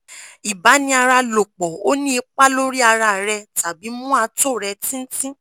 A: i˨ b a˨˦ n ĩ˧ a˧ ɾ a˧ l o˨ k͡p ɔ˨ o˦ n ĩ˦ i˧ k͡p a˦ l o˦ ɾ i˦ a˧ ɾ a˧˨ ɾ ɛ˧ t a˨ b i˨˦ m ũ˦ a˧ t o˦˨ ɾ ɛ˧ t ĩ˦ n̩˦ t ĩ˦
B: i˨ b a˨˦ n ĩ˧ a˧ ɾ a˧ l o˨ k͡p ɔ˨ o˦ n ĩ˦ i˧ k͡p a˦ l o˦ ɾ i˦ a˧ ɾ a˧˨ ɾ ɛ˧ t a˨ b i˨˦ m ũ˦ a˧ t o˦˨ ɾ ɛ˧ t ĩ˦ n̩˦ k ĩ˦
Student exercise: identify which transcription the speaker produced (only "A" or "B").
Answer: A